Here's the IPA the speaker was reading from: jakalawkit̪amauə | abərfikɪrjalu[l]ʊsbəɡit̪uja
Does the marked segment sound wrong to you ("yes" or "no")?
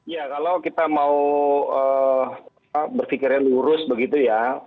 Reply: yes